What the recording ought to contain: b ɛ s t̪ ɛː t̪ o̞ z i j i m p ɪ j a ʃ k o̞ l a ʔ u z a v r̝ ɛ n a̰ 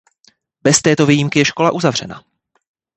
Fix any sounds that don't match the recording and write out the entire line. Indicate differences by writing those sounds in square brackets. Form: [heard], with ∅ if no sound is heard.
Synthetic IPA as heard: b ɛ s t̪ ɛː t̪ o̞ [v] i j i m [k] ɪ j [ɛ] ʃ k o̞ l a ʔ u z a v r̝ ɛ n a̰

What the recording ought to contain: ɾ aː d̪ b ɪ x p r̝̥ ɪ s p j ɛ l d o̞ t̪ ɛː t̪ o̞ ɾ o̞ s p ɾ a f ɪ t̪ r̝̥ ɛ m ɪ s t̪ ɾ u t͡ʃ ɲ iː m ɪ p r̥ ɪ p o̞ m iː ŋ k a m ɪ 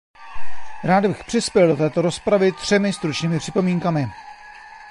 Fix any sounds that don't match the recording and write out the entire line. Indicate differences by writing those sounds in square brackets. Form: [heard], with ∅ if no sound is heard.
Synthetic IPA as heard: ɾ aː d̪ b ɪ x p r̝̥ ɪ s p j ɛ l d o̞ t̪ ɛː t̪ o̞ ɾ o̞ s p ɾ a [v] ɪ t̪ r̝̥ ɛ m ɪ s t̪ ɾ u t͡ʃ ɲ iː m ɪ p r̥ ɪ p o̞ m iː ŋ k a m ɪ

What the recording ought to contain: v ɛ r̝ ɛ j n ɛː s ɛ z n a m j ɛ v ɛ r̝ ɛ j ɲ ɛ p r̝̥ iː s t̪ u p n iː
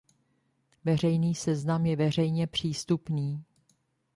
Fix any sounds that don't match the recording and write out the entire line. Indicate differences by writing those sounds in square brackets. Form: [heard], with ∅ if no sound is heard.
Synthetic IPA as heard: v ɛ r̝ ɛ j n [iː] s ɛ z n a m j ɛ v ɛ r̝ ɛ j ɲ ɛ p r̝̥ iː s t̪ u p n iː

